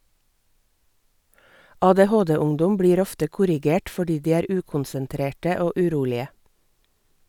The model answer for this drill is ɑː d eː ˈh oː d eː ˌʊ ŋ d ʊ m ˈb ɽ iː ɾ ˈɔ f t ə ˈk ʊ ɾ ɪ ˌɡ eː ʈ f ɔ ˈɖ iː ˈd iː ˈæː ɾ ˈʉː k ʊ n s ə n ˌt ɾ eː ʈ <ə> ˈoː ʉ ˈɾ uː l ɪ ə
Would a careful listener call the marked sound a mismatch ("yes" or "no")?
no